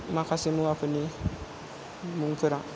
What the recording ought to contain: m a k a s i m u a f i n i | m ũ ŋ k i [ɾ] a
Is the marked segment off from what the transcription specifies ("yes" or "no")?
no